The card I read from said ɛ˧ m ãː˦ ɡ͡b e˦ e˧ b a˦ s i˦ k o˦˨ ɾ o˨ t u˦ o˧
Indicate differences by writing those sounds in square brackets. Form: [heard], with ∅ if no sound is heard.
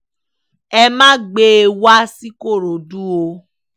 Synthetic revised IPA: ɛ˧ m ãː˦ ɡ͡b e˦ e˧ [w] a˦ s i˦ k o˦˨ ɾ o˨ [d] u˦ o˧